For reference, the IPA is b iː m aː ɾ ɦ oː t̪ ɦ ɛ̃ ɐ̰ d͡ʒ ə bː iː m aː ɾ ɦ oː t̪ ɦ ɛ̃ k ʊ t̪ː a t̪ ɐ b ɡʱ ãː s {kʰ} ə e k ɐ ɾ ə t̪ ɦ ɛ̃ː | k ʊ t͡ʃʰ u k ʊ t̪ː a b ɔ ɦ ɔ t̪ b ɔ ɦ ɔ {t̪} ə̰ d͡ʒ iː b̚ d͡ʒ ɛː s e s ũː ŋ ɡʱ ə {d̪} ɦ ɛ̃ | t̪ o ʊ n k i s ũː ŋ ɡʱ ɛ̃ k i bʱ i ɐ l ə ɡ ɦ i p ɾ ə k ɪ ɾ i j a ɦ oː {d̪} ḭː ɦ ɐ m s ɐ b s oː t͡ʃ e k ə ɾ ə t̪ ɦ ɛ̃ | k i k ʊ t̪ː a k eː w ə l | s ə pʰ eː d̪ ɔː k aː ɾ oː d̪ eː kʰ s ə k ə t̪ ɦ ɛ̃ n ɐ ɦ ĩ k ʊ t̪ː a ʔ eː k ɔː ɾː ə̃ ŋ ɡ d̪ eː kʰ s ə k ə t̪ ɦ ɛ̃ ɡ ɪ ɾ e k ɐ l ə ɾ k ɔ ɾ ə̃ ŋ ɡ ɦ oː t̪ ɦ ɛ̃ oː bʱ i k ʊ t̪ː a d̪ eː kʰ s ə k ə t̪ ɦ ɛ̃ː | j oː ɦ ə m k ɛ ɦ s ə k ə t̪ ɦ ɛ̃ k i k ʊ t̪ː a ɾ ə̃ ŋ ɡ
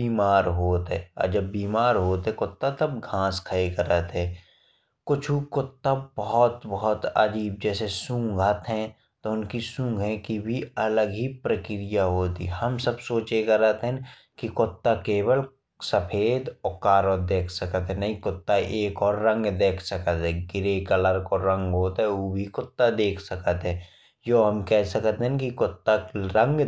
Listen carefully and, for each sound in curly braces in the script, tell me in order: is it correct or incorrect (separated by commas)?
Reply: correct, correct, incorrect, incorrect